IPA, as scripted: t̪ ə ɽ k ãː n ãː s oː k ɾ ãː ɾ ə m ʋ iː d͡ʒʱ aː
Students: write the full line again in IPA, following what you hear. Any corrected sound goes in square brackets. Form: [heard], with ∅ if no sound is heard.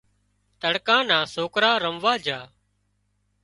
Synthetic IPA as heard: t̪ ə ɽ k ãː n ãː s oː k ɾ [aː] ɾ ə m ʋ [aː] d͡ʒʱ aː